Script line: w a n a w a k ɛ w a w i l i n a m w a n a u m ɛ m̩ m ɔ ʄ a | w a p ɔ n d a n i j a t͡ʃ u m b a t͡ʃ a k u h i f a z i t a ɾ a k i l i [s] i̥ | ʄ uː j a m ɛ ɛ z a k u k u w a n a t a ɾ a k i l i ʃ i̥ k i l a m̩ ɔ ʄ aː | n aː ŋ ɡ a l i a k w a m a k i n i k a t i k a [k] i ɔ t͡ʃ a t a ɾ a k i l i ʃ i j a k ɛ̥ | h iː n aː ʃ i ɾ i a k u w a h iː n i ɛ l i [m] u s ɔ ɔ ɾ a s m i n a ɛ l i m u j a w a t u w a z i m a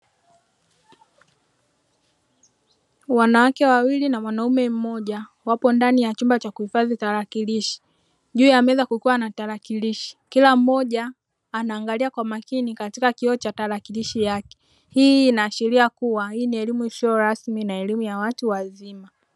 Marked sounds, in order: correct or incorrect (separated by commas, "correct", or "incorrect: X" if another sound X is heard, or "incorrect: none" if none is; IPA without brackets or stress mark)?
incorrect: ʃ, correct, correct